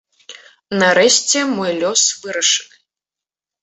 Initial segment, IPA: n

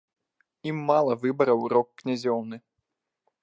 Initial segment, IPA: i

